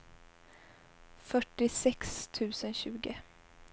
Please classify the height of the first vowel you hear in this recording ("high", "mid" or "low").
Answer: mid